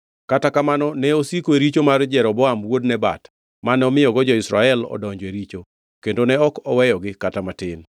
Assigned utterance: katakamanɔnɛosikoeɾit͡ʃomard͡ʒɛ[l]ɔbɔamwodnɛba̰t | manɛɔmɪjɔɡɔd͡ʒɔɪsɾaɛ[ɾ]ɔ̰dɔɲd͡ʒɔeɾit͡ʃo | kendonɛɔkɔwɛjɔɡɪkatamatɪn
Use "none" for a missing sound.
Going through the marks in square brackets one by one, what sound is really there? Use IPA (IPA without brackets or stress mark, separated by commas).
ɾ, l